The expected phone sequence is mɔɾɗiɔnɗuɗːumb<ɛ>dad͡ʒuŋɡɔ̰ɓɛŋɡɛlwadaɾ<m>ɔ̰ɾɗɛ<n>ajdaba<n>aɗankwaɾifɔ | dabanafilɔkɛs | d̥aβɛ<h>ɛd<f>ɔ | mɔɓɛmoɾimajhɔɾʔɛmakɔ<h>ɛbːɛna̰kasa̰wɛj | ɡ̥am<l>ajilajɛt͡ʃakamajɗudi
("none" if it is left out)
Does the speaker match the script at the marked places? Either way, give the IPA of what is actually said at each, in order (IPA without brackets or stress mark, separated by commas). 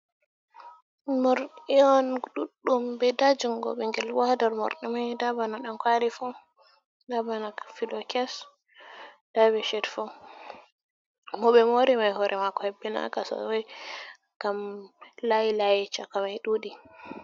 ɛ, m, m, n, ʃ, f, h, l